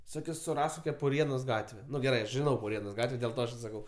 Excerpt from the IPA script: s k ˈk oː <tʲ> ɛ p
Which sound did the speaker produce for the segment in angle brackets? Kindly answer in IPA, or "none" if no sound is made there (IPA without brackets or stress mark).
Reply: kʲ